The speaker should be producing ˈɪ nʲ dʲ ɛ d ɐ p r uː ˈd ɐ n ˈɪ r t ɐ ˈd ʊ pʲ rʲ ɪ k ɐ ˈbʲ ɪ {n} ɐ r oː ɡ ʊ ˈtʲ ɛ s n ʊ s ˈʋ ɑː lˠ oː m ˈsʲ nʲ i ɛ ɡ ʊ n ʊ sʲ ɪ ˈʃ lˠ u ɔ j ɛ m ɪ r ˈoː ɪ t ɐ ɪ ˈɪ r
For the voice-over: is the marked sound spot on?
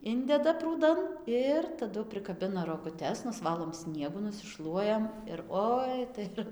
yes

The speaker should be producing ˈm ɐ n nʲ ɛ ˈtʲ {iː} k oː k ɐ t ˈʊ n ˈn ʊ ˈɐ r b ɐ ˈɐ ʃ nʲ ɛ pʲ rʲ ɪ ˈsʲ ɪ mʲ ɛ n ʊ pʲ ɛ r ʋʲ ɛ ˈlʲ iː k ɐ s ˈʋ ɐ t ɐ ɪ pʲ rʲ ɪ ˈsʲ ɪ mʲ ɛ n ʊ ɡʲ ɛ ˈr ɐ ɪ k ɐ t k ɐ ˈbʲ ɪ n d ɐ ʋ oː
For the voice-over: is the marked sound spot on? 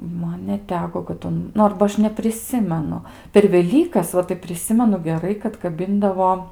no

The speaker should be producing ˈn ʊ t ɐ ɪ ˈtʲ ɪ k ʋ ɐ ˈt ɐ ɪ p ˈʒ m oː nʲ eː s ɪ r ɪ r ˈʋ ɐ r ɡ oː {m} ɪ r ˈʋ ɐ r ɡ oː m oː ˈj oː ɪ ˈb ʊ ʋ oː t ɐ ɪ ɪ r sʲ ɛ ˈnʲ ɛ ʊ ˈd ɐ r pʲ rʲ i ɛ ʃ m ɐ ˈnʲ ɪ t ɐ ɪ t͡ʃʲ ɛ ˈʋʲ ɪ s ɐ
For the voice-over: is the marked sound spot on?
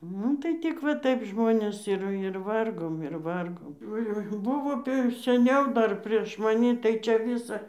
yes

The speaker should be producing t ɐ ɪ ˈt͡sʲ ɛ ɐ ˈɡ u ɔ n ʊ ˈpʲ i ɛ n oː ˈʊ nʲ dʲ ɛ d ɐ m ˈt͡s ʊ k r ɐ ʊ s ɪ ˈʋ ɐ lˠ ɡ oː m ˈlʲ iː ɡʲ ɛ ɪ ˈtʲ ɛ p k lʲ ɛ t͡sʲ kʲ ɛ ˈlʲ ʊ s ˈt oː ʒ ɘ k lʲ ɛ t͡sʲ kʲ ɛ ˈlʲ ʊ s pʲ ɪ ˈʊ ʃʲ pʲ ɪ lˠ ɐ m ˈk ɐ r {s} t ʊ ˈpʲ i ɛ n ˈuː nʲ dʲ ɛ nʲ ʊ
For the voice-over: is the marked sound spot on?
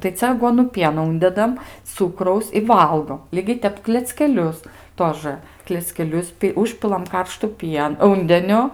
no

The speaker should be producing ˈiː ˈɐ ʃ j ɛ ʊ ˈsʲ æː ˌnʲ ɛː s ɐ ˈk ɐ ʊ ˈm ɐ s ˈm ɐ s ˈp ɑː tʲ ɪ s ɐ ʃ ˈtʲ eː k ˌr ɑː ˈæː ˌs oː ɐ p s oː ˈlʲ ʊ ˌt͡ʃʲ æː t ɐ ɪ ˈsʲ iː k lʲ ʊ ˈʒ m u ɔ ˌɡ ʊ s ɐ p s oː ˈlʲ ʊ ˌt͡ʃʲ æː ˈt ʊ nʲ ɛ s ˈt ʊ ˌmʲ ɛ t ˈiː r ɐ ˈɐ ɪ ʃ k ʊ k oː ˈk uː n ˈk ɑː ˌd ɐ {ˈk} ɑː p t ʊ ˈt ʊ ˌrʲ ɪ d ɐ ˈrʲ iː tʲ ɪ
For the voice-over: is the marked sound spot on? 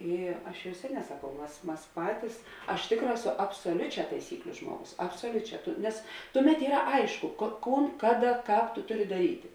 yes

